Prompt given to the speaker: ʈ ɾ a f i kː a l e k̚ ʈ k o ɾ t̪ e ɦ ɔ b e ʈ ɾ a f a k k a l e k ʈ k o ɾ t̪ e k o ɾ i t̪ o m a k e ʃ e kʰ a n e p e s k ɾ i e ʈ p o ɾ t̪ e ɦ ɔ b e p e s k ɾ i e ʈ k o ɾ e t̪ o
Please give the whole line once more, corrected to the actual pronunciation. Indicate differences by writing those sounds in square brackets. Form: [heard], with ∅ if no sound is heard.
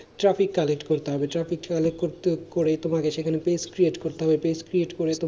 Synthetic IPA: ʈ ɾ a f i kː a l e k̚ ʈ k o ɾ t̪ e ɦ ɔ b e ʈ ɾ a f [i] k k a l e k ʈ k o ɾ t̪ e k o ɾ [e] t̪ o m a k e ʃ e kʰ a n e p e s k ɾ i e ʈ [k] o ɾ t̪ e ɦ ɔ b e p e s k ɾ i e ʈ k o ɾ e t̪ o